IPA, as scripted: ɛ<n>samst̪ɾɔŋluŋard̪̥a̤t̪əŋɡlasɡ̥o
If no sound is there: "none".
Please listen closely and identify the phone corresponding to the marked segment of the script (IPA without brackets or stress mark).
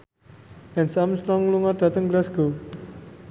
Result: n